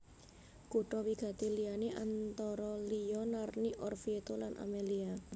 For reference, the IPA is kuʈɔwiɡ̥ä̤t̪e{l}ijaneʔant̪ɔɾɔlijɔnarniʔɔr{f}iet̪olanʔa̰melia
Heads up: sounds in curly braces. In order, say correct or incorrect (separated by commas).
correct, correct